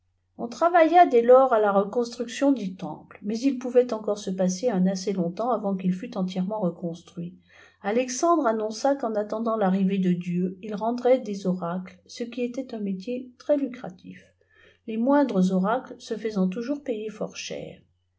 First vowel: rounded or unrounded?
rounded